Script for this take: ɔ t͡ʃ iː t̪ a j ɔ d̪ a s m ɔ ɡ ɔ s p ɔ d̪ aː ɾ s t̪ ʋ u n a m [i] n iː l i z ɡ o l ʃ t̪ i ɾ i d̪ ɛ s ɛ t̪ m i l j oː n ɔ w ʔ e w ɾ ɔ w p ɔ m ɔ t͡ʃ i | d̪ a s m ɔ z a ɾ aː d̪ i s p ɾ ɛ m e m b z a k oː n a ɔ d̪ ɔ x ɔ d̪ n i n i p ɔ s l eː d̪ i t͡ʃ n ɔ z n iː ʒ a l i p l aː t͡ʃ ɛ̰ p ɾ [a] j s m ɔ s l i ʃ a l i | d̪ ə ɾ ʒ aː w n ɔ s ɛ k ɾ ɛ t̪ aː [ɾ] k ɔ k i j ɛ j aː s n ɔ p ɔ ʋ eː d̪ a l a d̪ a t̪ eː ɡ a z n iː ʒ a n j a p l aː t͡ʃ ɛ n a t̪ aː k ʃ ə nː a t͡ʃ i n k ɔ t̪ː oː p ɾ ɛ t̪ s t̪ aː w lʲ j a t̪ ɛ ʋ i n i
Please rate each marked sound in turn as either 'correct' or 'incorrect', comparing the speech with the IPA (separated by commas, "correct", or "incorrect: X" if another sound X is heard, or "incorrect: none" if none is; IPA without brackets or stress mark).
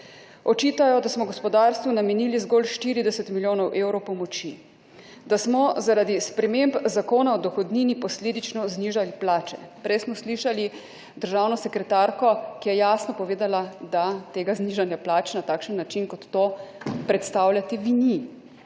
incorrect: ɛ, incorrect: ɛ, correct